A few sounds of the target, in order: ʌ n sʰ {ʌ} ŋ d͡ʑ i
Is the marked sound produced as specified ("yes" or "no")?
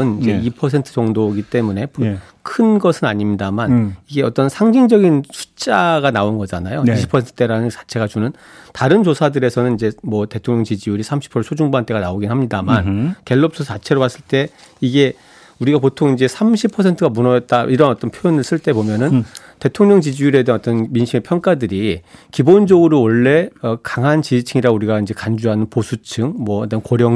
no